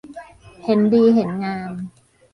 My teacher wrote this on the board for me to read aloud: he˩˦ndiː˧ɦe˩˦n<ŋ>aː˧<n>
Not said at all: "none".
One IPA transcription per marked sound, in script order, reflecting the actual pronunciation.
ŋ, m

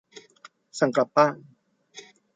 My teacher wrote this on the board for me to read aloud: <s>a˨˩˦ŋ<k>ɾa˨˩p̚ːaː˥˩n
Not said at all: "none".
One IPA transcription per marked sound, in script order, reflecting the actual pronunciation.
s, k

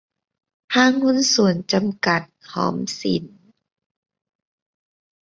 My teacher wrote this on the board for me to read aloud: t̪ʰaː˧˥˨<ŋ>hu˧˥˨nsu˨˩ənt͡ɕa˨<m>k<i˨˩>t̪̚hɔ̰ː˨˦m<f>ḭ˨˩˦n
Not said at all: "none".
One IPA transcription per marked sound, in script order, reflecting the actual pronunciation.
ŋ, m, a˨˩, s

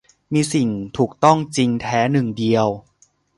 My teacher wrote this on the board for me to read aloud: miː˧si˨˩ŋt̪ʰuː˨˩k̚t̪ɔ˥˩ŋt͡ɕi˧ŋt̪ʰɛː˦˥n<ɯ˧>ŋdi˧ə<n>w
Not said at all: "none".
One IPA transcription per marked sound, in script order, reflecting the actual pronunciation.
ɯ˨˩, none

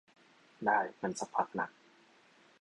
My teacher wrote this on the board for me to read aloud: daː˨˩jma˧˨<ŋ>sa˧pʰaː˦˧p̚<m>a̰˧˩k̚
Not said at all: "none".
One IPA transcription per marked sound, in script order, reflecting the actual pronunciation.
n, n

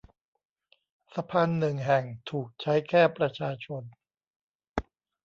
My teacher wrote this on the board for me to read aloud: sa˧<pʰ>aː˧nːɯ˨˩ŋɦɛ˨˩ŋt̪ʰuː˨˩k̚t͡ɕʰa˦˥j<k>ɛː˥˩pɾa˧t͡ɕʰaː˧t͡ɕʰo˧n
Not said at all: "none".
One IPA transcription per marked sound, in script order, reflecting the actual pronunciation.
pʰ, kʰ

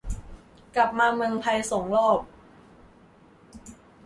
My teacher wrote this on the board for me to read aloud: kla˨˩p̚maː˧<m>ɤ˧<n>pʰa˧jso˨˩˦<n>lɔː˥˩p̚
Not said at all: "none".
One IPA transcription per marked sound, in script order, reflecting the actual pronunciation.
m, ŋ, ŋ

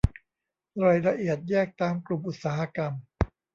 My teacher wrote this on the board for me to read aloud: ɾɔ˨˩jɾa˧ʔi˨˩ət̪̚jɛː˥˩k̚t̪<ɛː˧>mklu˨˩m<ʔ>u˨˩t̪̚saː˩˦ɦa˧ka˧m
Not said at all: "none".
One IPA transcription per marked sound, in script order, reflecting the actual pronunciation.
aː˧, ʔ

